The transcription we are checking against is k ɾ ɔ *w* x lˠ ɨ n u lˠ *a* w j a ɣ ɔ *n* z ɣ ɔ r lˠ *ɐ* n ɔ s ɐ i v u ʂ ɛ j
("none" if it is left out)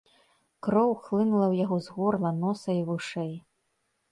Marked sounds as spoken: w, ɐ, none, ɐ

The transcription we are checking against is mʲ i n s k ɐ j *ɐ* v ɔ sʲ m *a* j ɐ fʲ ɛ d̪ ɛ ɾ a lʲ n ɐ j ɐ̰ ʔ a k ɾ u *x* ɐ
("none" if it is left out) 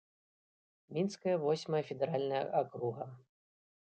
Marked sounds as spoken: ɐ, ɐ, ɣ

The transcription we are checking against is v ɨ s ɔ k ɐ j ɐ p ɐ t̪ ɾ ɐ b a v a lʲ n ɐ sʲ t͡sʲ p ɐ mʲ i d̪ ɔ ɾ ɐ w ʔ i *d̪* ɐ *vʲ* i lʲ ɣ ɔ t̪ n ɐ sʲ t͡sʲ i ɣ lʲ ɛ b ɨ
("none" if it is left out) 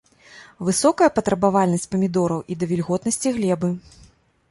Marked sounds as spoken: d̪, vʲ

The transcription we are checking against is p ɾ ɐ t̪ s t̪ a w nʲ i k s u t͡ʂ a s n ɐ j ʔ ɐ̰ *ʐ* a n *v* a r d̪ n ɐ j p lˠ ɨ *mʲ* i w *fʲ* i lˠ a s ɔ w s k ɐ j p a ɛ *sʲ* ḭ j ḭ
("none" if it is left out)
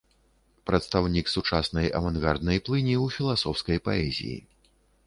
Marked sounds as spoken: v, ɣ, nʲ, fʲ, zʲ

